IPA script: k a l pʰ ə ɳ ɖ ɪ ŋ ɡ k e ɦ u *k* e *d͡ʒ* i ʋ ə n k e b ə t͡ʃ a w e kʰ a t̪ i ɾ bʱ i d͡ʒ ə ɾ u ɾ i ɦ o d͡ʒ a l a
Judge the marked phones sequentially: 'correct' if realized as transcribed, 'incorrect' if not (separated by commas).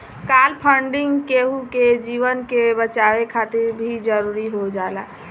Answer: correct, correct